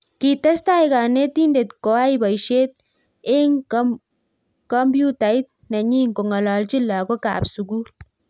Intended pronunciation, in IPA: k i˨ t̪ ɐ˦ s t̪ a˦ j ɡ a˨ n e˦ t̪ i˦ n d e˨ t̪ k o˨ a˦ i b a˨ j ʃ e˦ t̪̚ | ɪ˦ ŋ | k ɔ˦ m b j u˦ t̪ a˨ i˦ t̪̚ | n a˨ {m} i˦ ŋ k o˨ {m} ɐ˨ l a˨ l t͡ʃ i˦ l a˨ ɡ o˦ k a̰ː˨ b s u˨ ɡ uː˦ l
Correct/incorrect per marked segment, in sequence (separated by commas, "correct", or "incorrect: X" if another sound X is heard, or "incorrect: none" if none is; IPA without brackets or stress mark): incorrect: ɲ, incorrect: ŋ